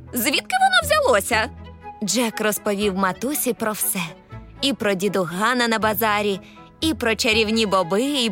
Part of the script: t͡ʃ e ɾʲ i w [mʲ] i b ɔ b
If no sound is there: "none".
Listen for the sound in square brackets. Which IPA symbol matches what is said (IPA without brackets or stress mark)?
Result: nʲ